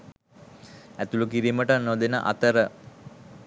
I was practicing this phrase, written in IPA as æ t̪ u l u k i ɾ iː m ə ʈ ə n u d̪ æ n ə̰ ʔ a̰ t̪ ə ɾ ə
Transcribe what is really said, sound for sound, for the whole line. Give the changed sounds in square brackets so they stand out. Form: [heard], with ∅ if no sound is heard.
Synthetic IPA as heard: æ t̪ u l u k i ɾ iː m ə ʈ ə n [o] d̪ [e] n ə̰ ʔ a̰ t̪ ə ɾ ə